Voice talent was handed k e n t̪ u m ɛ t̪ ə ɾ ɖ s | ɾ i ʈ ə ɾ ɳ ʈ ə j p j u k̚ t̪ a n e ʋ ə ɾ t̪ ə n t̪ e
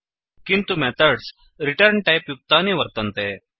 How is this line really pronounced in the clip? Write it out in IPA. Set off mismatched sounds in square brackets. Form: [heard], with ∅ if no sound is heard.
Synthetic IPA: k [i] n t̪ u m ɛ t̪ ə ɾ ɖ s | ɾ i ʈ ə ɾ ɳ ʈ [a] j p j u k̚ t̪ a n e ʋ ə ɾ t̪ ə n t̪ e